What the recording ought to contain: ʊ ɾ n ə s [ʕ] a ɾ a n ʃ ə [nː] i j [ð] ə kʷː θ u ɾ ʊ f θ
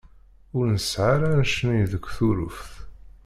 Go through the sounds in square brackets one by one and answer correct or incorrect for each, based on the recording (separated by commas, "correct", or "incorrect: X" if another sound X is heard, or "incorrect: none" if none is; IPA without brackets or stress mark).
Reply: correct, incorrect: n, correct